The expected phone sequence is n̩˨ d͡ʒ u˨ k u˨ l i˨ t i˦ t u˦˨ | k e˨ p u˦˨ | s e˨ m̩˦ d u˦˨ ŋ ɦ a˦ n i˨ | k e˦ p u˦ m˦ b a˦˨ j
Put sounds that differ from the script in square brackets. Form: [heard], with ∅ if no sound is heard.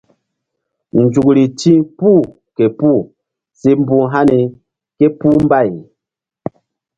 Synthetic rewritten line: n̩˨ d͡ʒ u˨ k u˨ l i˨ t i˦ [p] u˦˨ | k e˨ p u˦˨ | s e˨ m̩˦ [b] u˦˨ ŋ ɦ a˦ n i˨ | k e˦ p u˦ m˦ b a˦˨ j